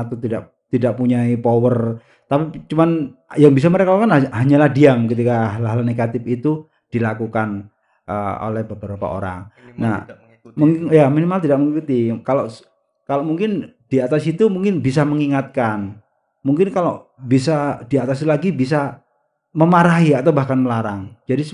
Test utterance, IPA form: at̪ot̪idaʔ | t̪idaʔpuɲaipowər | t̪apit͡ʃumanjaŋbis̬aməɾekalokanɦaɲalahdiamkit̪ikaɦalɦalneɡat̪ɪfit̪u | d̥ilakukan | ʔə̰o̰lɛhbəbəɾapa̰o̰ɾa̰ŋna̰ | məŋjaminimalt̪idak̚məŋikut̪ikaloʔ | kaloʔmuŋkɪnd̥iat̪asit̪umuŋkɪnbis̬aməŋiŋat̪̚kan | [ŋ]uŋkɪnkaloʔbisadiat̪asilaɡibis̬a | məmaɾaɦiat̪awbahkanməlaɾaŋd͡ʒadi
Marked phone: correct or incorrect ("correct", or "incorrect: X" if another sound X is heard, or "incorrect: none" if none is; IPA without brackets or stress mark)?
incorrect: m